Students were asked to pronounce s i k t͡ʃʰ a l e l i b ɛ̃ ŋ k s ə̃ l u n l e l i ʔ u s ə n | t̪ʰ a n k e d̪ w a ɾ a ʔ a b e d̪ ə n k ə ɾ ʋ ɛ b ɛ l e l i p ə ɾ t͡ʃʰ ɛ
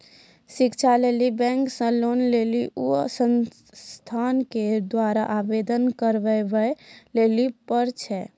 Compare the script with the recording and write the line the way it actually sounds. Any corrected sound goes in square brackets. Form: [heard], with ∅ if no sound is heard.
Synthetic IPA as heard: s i k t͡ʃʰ a l e l i b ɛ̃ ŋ k s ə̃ l [o] n l e l i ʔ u s ə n | t̪ʰ a n k e d̪ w a ɾ a ʔ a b e d̪ ə n k ə ɾ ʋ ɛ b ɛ l e l i p ə ɾ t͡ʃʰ ɛ